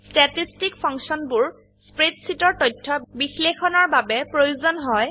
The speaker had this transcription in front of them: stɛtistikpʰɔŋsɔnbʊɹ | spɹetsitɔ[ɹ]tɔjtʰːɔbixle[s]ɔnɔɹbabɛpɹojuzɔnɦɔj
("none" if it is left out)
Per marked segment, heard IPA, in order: ɹ, x

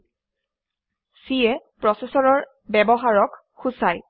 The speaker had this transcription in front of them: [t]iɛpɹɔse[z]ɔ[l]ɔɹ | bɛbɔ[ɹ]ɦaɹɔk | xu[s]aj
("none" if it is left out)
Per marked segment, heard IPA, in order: s, s, ɹ, none, s

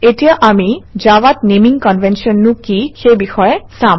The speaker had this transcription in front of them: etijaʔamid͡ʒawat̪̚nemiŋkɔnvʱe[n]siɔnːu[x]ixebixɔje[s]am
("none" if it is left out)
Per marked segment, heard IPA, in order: n, k, s

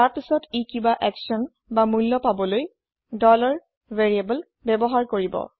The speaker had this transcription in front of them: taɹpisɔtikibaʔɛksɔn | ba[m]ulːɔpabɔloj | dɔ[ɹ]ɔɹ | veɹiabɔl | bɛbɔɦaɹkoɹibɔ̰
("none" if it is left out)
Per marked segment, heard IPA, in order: m, l

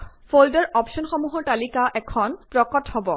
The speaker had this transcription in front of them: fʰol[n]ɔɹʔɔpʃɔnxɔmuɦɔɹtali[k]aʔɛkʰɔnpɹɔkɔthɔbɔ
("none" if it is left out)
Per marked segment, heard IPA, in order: d, k

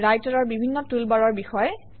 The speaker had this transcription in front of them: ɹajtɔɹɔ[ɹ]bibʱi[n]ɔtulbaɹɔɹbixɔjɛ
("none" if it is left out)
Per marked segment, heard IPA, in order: ɹ, nː

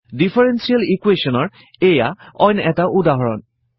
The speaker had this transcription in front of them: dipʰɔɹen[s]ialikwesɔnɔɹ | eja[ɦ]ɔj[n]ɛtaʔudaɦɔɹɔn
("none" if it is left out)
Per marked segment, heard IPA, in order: s, none, n

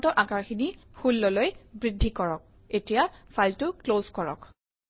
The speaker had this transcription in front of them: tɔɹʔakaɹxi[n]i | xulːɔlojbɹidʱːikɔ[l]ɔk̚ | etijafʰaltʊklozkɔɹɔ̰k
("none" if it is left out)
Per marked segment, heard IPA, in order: n, ɹ

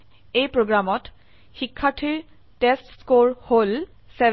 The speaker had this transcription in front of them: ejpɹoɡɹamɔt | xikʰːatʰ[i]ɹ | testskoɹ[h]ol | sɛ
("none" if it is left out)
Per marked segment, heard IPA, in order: i, h

